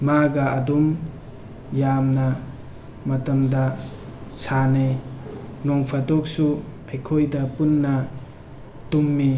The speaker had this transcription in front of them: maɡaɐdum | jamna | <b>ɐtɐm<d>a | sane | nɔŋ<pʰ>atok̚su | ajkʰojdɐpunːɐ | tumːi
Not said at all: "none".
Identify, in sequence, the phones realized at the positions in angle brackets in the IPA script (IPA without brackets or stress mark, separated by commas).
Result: m, d, pʰ